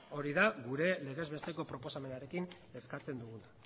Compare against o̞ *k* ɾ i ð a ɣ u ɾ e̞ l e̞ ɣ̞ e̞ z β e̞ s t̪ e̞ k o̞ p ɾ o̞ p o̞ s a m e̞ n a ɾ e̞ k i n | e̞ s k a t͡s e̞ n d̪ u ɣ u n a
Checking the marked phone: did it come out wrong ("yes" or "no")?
yes